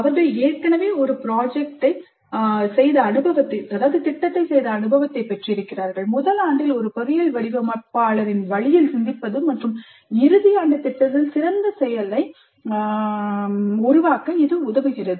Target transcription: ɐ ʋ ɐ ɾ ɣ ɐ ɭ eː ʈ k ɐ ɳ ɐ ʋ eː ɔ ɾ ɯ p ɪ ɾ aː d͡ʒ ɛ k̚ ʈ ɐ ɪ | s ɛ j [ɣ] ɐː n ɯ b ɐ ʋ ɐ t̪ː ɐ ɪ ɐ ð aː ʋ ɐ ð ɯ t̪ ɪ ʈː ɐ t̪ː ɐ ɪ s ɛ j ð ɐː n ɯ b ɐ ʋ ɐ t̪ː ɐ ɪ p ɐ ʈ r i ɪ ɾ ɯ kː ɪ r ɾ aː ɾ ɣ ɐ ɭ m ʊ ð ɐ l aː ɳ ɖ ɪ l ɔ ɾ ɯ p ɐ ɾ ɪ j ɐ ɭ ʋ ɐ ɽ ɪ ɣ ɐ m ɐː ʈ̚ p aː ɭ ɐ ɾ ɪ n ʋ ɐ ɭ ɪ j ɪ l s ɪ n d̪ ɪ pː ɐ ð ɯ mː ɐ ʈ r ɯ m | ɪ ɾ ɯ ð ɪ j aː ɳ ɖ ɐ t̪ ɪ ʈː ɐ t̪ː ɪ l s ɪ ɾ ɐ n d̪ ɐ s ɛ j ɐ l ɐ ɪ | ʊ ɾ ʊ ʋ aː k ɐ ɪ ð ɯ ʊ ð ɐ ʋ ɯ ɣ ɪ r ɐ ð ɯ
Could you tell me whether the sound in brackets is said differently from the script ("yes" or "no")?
yes